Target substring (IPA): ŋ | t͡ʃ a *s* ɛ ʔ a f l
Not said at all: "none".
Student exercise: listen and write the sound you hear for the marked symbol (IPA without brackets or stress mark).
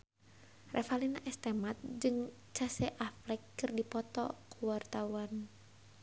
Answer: s